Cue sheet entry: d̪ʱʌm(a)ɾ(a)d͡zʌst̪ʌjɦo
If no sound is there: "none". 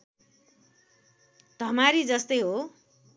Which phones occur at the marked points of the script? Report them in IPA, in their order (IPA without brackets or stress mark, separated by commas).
a, i